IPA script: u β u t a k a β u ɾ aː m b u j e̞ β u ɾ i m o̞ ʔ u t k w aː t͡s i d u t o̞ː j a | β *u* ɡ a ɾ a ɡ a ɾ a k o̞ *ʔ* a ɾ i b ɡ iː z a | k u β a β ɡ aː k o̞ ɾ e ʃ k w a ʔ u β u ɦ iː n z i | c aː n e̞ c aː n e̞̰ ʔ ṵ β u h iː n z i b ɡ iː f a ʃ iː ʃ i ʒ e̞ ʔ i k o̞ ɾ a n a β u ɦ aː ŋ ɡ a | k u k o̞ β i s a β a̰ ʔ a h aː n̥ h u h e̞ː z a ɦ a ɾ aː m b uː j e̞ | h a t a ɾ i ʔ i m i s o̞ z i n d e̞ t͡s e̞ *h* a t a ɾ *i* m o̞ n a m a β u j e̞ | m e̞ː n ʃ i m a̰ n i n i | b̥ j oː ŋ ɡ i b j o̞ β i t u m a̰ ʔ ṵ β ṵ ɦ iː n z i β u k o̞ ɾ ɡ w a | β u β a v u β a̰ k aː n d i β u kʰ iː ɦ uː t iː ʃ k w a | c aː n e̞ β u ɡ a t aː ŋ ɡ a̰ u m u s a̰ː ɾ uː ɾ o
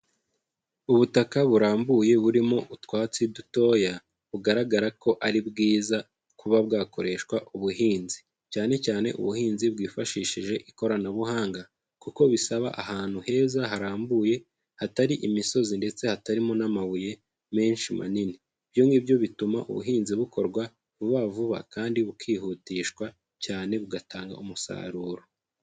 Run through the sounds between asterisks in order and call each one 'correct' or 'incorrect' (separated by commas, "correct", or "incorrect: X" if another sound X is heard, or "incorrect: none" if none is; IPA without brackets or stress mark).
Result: correct, correct, correct, correct